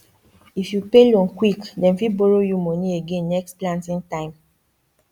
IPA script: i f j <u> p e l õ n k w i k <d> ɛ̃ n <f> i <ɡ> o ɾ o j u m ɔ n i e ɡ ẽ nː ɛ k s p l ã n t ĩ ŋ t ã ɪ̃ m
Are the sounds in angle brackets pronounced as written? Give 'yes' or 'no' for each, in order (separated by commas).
yes, yes, yes, no